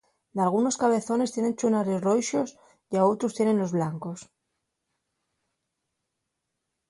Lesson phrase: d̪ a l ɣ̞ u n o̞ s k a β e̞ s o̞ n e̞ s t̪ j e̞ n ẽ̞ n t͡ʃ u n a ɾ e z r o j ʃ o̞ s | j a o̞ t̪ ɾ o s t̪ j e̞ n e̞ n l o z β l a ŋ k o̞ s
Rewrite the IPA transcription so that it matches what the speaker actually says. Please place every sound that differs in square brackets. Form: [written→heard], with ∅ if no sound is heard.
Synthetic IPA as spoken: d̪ a l ɣ̞ u n o̞ s k a β e̞ [s→θ] o̞ n e̞ s t̪ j e̞ n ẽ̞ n t͡ʃ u n a ɾ e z r o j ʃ o̞ s | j a o̞ t̪ ɾ o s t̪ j e̞ n e̞ n l o z β l a ŋ k o̞ s

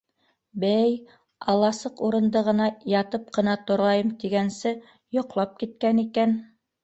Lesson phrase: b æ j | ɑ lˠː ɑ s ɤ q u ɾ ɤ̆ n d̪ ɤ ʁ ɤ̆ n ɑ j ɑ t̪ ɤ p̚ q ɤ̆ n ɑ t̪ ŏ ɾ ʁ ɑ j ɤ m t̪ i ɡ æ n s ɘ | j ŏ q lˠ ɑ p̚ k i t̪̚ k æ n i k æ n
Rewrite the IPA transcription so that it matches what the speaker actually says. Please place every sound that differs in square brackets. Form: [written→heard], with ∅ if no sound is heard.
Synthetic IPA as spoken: b æ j | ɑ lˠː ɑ s ɤ q u ɾ ɤ̆ n d̪ ɤ ʁ ɤ̆ n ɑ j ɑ t̪ ɤ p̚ q ɤ̆ n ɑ t̪ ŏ ɾ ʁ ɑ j ɤ m t̪ i ɡ æ n s ɘ | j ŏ q lˠ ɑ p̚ k i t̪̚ k æ n i k æ n

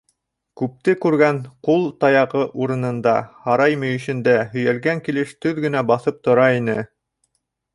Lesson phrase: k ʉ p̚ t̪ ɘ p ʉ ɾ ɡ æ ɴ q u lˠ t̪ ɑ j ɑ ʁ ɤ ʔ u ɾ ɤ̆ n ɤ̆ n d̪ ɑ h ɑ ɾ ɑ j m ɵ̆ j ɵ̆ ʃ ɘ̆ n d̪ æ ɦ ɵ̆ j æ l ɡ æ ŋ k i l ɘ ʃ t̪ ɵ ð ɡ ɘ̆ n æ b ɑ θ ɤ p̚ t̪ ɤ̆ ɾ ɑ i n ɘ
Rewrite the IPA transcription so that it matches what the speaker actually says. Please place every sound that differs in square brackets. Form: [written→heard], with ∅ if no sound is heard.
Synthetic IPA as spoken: k ʉ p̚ t̪ ɘ [p→k] ʉ ɾ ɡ æ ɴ q u lˠ t̪ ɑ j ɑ ʁ ɤ ʔ u ɾ ɤ̆ n ɤ̆ n d̪ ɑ h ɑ ɾ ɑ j m ɵ̆ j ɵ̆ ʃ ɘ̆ n d̪ æ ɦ ɵ̆ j æ l ɡ æ ŋ k i l ɘ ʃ t̪ ɵ ð ɡ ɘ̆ n æ b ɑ θ ɤ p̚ t̪ [ɤ̆→ŏ] ɾ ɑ i n ɘ

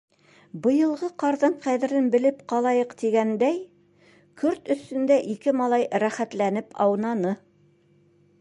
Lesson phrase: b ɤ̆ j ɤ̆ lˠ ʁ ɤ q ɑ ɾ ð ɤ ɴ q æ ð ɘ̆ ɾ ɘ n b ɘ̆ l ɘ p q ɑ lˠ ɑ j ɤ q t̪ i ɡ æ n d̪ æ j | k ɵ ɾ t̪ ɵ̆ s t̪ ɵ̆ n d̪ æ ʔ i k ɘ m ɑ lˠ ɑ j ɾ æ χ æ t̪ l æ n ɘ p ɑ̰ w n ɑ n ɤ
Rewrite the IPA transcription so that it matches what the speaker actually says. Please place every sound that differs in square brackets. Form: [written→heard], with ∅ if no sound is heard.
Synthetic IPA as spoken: b ɤ̆ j ɤ̆ lˠ ʁ ɤ q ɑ ɾ ð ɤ ɴ q æ ð ɘ̆ ɾ ɘ n b ɘ̆ l ɘ p q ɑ lˠ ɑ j ɤ q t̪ i ɡ æ n d̪ æ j | k ɵ ɾ t̪ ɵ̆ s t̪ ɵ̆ n d̪ æ ʔ i k ɘ m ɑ lˠ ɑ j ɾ æ χ æ t̪ l æ n ɘ p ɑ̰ w n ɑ n ɤ

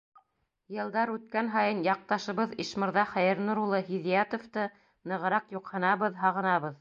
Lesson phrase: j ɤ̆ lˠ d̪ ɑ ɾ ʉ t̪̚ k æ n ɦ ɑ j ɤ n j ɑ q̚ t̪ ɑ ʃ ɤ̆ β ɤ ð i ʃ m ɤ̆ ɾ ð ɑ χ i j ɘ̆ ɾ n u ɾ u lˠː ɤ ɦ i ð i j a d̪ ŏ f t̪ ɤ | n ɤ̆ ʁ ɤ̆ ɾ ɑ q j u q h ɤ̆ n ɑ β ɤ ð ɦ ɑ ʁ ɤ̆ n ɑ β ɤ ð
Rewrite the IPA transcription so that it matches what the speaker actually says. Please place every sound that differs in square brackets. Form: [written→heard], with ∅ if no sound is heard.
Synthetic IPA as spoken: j ɤ̆ lˠ d̪ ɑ ɾ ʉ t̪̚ k æ n ɦ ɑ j ɤ n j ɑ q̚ t̪ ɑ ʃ ɤ̆ β ɤ ð i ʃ m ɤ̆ ɾ ð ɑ χ [i→æ] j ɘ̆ ɾ n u ɾ u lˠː ɤ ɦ i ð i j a [d̪→t̪] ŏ f t̪ ɤ | n ɤ̆ ʁ ɤ̆ ɾ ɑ q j u q h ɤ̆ n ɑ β ɤ ð ɦ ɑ ʁ ɤ̆ n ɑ β ɤ ð

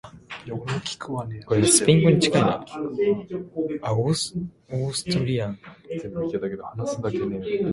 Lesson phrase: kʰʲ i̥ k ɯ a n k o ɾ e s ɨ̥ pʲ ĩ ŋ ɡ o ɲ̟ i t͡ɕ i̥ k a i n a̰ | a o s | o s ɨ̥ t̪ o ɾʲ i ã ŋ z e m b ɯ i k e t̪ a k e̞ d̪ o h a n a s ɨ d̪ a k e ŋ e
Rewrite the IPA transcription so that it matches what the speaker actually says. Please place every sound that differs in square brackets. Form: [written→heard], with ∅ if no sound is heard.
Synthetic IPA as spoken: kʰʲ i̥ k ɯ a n k o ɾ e s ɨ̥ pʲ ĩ ŋ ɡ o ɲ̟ i t͡ɕ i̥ k a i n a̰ | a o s | o s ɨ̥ t̪ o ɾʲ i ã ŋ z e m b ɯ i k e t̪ a k e̞ d̪ o h a n a s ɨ d̪ a k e [ŋ→n] e

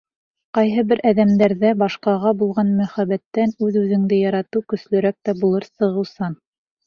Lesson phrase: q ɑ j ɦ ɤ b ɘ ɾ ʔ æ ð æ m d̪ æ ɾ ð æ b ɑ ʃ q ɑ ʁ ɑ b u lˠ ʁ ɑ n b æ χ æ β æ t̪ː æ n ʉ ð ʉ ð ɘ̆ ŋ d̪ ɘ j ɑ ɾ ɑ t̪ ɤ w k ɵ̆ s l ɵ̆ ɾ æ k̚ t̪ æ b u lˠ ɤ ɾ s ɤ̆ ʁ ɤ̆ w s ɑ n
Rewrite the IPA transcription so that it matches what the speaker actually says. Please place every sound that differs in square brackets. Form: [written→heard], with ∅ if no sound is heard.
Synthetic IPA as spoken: q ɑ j ɦ ɤ b ɘ ɾ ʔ æ ð æ m d̪ æ ɾ ð æ b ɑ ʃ q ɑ ʁ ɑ b u lˠ ʁ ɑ n [b→m] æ χ æ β æ t̪ː æ n ʉ ð ʉ ð ɘ̆ ŋ d̪ ɘ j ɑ ɾ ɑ t̪ ɤ w k ɵ̆ s l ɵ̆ ɾ æ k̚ t̪ æ b u lˠ ɤ ɾ s ɤ̆ ʁ ɤ̆ w s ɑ n

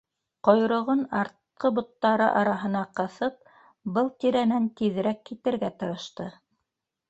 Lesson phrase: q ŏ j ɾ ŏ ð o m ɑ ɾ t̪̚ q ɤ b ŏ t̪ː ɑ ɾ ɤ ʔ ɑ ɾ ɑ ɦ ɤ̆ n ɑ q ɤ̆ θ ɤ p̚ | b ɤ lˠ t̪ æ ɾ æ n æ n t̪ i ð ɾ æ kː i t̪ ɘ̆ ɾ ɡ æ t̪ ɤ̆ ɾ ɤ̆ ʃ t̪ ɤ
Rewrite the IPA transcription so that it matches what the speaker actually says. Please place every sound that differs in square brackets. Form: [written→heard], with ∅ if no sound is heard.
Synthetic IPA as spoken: q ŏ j ɾ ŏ [ð→ʁ] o [m→n] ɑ ɾ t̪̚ q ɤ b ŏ t̪ː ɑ ɾ ɤ ʔ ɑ ɾ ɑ ɦ ɤ̆ n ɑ q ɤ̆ θ ɤ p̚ | b ɤ lˠ t̪ [æ→i] ɾ æ n æ n t̪ i ð ɾ æ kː i t̪ ɘ̆ ɾ ɡ æ t̪ ɤ̆ ɾ ɤ̆ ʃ t̪ ɤ

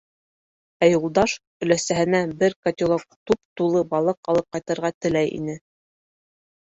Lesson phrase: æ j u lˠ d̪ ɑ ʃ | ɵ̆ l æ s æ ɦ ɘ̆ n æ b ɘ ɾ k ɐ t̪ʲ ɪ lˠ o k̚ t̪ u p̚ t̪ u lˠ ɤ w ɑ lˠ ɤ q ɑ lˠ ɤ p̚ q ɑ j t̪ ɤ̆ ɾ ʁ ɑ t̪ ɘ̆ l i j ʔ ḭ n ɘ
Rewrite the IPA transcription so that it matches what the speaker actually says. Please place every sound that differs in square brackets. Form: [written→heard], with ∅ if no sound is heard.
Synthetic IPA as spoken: æ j u lˠ d̪ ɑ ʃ | ɵ̆ l æ s æ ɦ ɘ̆ n æ b ɘ ɾ k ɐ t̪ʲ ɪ lˠ o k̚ t̪ u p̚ t̪ u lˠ ɤ [w→b] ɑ lˠ ɤ q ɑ lˠ ɤ p̚ q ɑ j t̪ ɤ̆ ɾ ʁ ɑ t̪ ɘ̆ l [i→æ] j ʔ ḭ n ɘ

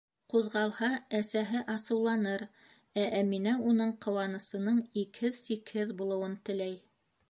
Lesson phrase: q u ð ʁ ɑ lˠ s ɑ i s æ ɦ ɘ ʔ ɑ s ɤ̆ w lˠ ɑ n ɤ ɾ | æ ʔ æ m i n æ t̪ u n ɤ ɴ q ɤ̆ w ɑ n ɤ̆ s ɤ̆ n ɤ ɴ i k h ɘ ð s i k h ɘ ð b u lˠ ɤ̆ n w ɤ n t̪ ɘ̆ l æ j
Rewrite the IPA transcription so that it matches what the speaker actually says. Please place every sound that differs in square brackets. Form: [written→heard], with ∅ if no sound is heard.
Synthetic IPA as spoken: q u ð ʁ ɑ lˠ [s→h] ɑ [i→æ] s æ ɦ ɘ ʔ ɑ s ɤ̆ w lˠ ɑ n ɤ ɾ | æ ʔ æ m i n æ [t̪→∅] u n ɤ ɴ q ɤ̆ w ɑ n ɤ̆ s ɤ̆ n ɤ ɴ i k h ɘ ð s i k h ɘ ð b u lˠ ɤ̆ [n→∅] w ɤ n t̪ ɘ̆ l æ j

